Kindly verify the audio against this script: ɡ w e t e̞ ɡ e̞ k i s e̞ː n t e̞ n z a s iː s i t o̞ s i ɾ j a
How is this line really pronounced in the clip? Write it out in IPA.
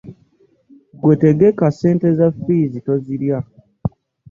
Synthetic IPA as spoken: ɡ w e t e̞ ɡ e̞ k a s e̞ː n t e̞ z a f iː z i t o̞ z i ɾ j a